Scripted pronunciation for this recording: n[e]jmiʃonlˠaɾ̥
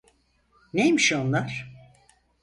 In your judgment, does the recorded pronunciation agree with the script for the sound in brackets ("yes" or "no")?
yes